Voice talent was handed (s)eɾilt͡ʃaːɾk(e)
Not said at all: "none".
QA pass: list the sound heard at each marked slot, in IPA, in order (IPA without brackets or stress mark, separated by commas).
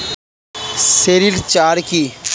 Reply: s, i